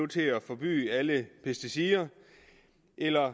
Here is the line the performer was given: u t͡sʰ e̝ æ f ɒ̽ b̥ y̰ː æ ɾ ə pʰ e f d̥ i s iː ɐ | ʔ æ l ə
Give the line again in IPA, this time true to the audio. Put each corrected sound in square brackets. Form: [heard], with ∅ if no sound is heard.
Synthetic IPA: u t͡sʰ e̝ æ f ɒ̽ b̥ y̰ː æ [l] ə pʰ e [s] d̥ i s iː ɐ | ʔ [e] l [ɐ]

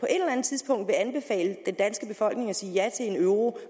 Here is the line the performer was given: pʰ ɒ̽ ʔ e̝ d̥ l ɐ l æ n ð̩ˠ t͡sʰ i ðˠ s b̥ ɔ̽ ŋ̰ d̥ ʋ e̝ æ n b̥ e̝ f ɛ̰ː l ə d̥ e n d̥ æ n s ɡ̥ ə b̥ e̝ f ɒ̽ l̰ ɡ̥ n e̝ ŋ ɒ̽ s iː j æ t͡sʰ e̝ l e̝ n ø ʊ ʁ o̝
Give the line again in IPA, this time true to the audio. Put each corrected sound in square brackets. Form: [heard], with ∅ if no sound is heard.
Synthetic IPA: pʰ ɒ̽ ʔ e̝ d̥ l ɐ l æ n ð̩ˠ t͡sʰ i ðˠ s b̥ ɔ̽ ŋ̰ d̥ ʋ e̝ æ n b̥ e̝ f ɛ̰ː l ə d̥ e n d̥ æ n s ɡ̥ ə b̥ e̝ f ɒ̽ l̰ ɡ̥ n e̝ ŋ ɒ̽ s iː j æ t͡sʰ e̝ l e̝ n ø ʊ ʁ o̝

